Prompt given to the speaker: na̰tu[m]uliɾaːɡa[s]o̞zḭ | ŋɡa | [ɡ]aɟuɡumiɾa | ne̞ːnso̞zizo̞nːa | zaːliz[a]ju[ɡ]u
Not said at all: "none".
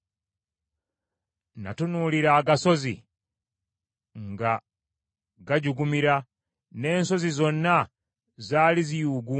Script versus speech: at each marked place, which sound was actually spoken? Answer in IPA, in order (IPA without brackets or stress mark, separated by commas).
n, s, ɡ, i, ɡ